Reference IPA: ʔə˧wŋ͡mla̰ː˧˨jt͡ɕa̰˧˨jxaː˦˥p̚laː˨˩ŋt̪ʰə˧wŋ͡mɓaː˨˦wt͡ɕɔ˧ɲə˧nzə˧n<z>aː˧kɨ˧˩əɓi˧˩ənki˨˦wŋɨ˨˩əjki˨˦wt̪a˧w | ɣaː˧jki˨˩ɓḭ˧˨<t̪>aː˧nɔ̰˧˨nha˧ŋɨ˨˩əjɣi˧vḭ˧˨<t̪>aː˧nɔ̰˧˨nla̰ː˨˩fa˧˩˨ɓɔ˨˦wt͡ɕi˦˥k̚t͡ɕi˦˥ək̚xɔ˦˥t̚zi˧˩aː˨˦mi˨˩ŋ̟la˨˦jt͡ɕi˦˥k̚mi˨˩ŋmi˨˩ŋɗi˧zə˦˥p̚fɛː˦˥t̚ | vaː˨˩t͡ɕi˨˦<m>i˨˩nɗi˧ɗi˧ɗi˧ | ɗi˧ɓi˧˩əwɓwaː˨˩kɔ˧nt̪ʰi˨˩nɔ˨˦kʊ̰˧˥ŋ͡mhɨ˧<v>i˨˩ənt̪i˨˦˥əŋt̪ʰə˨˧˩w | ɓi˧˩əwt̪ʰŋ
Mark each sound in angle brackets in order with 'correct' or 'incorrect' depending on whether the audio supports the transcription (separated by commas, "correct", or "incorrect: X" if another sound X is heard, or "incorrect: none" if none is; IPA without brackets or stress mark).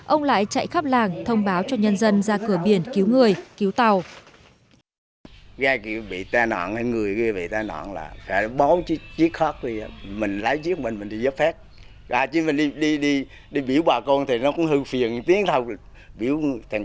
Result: correct, correct, correct, correct, incorrect: f